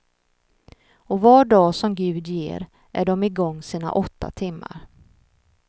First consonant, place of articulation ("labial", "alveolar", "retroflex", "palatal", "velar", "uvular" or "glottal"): labial